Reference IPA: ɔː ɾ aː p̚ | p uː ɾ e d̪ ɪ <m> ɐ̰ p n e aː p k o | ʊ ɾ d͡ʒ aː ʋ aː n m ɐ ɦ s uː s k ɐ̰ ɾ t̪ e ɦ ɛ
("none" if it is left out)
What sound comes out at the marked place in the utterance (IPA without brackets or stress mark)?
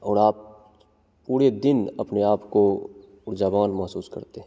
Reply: n